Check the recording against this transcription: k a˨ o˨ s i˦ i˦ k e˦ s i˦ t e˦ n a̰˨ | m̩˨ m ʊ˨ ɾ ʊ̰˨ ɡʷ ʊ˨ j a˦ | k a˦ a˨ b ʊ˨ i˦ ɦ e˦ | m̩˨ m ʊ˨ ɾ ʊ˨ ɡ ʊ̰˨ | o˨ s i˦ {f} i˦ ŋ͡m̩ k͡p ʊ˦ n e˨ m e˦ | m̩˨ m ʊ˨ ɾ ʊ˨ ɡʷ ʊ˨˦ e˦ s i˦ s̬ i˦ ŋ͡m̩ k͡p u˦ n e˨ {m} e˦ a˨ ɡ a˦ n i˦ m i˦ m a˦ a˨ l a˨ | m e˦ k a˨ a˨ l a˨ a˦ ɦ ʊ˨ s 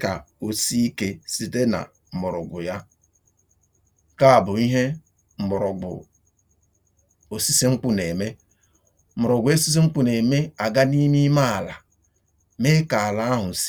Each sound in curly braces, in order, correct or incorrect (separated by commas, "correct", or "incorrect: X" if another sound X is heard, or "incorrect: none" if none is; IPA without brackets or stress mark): incorrect: s, correct